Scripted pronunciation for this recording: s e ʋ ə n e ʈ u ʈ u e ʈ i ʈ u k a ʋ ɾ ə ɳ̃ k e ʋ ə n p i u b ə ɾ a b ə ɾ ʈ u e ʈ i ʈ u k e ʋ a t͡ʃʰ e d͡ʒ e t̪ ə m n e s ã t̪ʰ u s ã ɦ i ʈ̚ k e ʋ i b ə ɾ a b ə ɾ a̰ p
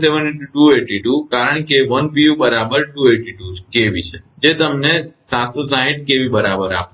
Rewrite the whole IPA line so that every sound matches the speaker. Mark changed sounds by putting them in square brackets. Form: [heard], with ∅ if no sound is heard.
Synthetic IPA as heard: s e ʋ ə n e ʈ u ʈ u e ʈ i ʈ u k a [∅] ɾ ə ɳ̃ k e ʋ ə n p i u b ə ɾ a b ə ɾ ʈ u e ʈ i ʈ u k e ʋ [i] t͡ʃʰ e d͡ʒ e t̪ ə m n e s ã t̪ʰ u s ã ɦ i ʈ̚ k e ʋ i b ə ɾ a b ə ɾ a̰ p

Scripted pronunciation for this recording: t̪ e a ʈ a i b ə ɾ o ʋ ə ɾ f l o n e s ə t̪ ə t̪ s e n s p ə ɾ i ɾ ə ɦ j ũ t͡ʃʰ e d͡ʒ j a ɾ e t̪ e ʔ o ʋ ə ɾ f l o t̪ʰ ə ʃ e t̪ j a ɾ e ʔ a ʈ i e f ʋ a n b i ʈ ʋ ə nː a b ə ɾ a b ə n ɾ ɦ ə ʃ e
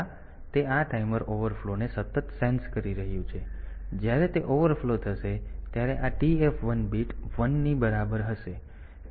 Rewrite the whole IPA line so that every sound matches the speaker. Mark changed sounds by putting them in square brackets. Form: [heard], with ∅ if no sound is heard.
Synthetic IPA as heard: t̪ e a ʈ a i [m] ə ɾ o ʋ ə ɾ f l o n e s ə t̪ ə t̪ s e n s [k] ə ɾ i ɾ ə ɦ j ũ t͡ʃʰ e d͡ʒ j a ɾ e t̪ e ʔ o ʋ ə ɾ f l o t̪ʰ ə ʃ e t̪ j a ɾ e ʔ a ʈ i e f ʋ [ə] n b i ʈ ʋ ə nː [i] b ə ɾ a b ə [∅] ɾ ɦ ə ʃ e

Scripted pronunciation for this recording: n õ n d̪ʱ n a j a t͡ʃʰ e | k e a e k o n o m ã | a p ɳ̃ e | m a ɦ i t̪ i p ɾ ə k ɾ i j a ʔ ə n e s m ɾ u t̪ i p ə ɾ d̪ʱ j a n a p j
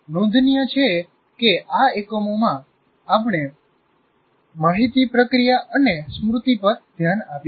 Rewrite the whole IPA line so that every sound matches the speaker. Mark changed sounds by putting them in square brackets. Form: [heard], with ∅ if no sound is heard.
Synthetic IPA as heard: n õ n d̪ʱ n [i] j [ə] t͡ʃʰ e | k e a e k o [m] o m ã | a p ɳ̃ e | m a ɦ i t̪ i p ɾ ə k ɾ i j a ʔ ə n e s m ɾ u t̪ i p ə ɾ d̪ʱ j a n a p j

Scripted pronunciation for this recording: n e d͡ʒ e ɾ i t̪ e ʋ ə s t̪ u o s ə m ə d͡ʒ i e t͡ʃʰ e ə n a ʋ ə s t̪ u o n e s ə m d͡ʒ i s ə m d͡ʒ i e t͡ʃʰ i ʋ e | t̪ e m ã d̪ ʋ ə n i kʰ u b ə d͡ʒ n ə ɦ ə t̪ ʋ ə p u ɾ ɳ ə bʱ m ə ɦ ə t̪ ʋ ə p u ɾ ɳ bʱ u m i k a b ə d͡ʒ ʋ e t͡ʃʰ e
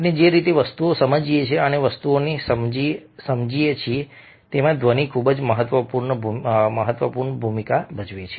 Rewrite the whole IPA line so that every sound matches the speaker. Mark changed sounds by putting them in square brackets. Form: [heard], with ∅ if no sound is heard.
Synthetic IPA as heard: n e d͡ʒ e ɾ i t̪ e ʋ ə s t̪ u o s ə m ə d͡ʒ i e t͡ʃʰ e ə n [e] ʋ ə s t̪ u o n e s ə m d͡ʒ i s ə m d͡ʒ i e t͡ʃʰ i [∅] e | t̪ e m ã d̪ ʋ ə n i kʰ u b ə d͡ʒ [m] ə ɦ ə t̪ ʋ ə p u ɾ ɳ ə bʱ m ə ɦ ə t̪ ʋ ə p u ɾ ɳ bʱ u m i k a b ə d͡ʒ ʋ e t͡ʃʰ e

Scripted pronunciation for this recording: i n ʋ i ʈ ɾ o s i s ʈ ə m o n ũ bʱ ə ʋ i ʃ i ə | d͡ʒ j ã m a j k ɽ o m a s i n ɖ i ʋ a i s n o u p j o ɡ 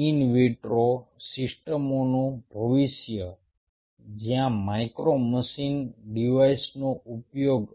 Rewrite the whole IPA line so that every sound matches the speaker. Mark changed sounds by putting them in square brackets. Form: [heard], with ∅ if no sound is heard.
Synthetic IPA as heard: i n ʋ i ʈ ɾ o s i s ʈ ə m o n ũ bʱ ə ʋ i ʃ [j] ə | d͡ʒ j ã m a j k [ɾ] o m [ə] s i n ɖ i ʋ a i s n o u p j o ɡ

